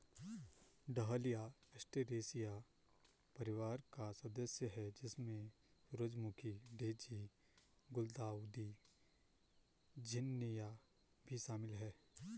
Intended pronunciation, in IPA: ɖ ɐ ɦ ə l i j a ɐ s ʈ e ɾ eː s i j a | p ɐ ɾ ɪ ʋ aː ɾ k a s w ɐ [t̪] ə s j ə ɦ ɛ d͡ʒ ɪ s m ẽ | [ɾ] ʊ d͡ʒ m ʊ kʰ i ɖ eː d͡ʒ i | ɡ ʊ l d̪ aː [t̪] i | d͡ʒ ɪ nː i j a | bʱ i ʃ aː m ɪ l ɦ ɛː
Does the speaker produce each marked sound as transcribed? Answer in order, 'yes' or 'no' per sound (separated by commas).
no, yes, no